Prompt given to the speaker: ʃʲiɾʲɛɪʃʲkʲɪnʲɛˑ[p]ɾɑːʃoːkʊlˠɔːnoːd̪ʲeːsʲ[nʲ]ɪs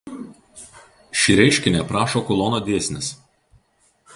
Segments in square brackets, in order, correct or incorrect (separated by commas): correct, correct